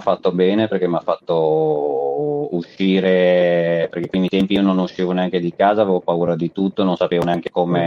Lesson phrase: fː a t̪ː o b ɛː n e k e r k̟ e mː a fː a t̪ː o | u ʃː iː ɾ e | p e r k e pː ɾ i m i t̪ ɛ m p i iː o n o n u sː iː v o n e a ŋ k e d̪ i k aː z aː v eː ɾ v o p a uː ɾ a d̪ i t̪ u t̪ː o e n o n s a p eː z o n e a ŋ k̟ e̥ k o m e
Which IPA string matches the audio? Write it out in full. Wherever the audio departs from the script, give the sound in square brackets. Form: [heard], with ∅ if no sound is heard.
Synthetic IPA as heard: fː a t̪ː o b ɛː n e [p] e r k̟ e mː a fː a t̪ː o | u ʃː iː ɾ e | p e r k e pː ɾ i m i t̪ ɛ m p i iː o n o n u [ʃː] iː v o n e a ŋ k e d̪ i k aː z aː v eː [∅] v o p a uː ɾ a d̪ i t̪ u t̪ː o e n o n s a p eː [v] o n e a ŋ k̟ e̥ k o m e